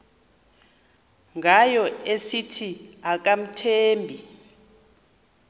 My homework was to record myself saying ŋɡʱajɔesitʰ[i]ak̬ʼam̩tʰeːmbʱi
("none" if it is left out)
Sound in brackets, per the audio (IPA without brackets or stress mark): i